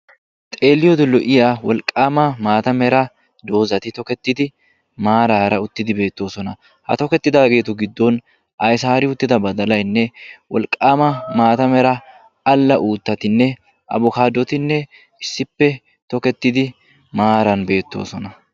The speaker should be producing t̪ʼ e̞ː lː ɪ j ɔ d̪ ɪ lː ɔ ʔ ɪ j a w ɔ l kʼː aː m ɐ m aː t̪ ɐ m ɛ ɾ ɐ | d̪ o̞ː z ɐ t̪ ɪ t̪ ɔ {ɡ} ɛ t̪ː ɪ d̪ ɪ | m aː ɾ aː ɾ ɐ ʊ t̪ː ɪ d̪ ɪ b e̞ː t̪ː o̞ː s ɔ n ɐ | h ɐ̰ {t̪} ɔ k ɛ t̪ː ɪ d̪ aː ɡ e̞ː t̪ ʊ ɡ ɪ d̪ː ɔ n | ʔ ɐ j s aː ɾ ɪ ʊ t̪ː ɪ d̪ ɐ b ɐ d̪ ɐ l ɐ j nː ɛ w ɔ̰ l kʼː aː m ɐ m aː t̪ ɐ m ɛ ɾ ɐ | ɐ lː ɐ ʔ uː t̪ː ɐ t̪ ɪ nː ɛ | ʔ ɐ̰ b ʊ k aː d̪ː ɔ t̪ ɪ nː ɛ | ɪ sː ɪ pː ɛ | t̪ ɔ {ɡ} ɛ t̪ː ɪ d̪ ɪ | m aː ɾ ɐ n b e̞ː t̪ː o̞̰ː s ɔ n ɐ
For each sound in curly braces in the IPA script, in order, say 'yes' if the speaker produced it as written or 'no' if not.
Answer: no, yes, no

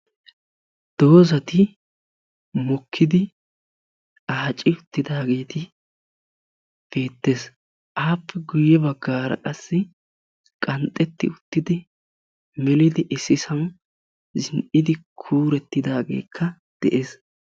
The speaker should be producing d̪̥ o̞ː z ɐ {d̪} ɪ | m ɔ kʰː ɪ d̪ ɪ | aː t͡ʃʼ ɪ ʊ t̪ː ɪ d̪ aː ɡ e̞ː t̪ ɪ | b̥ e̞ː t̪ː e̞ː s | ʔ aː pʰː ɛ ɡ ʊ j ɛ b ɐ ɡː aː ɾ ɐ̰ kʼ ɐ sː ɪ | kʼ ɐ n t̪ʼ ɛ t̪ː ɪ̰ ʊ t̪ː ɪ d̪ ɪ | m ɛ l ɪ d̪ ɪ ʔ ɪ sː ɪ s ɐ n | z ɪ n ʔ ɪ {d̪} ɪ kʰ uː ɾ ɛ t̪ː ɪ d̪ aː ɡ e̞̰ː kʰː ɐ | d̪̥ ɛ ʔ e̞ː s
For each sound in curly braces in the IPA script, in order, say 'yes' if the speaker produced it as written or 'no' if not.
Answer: no, yes

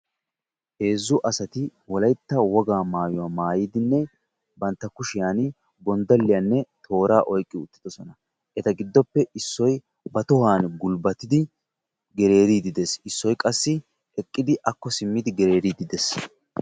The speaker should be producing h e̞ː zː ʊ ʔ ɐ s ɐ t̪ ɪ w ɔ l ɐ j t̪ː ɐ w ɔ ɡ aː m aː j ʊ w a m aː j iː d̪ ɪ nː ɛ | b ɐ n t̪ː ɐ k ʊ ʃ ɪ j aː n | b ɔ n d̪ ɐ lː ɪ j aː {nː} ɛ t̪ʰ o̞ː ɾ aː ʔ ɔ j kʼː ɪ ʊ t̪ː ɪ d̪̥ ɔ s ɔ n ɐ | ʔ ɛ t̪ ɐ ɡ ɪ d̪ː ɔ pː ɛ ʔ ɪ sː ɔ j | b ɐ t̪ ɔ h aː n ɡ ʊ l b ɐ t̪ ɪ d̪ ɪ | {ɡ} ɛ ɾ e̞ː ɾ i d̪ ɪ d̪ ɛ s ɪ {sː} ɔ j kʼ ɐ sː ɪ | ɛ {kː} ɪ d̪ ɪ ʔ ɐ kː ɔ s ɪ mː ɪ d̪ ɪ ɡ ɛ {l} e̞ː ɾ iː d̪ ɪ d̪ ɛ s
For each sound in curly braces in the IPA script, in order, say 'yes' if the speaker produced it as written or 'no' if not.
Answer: yes, yes, yes, no, no

